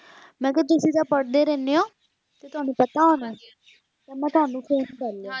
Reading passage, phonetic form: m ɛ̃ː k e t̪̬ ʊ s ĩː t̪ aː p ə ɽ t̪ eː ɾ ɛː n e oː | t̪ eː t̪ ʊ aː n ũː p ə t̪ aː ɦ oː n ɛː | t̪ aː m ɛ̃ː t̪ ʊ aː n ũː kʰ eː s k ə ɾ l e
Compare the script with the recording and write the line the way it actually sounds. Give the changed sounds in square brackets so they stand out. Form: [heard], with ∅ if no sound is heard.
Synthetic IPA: m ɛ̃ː k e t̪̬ ʊ s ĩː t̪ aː p ə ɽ [d̪] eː ɾ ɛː n e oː | t̪ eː t̪ ʊ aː n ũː p ə t̪ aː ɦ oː n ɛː | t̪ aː m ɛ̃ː t̪ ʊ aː n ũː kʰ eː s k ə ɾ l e